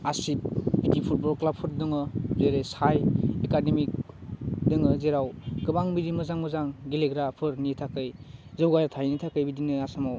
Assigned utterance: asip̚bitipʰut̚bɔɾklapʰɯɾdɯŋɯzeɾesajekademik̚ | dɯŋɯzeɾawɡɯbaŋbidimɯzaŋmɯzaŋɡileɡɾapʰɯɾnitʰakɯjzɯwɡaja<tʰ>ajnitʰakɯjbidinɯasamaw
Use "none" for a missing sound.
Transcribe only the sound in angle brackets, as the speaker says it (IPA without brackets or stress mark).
tʰ